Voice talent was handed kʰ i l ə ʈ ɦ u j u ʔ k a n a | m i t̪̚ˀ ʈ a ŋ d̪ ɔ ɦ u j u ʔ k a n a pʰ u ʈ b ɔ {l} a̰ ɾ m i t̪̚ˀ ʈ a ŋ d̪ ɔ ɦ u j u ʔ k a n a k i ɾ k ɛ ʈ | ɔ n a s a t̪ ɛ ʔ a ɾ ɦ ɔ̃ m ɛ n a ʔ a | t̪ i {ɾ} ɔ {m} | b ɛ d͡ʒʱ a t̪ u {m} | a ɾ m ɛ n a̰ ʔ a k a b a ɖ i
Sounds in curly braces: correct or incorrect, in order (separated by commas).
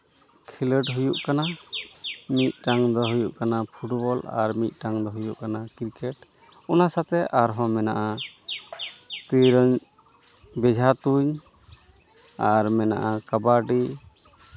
correct, correct, incorrect, incorrect